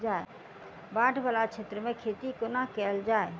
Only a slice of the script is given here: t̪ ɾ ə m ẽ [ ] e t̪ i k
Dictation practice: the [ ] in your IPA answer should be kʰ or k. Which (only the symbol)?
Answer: kʰ